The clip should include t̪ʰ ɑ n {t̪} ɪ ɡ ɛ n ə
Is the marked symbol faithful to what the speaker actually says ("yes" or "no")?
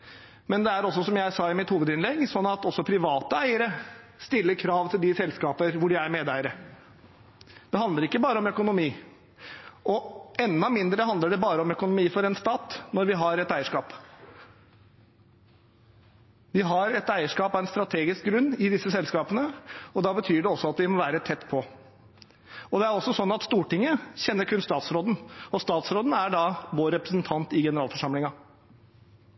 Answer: yes